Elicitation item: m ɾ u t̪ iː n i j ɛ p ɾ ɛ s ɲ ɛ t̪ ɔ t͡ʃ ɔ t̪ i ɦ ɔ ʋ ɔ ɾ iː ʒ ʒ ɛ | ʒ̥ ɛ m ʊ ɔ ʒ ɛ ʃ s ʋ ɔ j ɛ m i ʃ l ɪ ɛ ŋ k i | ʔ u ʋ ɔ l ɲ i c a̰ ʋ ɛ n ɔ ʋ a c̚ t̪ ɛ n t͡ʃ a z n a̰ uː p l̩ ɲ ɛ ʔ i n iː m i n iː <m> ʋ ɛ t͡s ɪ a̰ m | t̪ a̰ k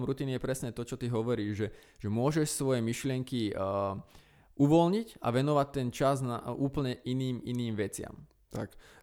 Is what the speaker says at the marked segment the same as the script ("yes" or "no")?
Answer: yes